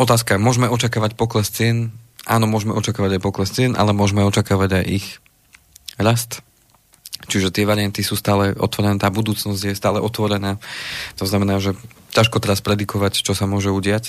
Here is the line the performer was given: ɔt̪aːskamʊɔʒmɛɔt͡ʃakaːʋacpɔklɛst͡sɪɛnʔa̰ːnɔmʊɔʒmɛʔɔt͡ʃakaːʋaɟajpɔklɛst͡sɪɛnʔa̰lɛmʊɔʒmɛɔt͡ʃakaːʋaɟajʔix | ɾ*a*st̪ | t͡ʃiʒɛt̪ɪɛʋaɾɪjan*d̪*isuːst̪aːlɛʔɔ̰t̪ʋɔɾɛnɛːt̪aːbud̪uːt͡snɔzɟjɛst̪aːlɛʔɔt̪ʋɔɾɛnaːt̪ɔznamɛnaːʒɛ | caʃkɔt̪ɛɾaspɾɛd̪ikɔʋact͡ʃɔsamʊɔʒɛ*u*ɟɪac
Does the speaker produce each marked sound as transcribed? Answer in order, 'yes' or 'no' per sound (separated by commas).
yes, no, yes